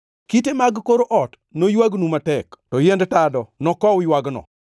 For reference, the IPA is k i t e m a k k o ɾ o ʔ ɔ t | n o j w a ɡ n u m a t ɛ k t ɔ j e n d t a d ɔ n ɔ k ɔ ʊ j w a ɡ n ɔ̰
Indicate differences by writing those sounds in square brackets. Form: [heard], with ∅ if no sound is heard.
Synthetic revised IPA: k i t e m a [ɡ] k o ɾ o ʔ ɔ t | n o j w a ɡ n u m a t ɛ k t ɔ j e n d t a d ɔ n ɔ k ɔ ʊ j w a ɡ n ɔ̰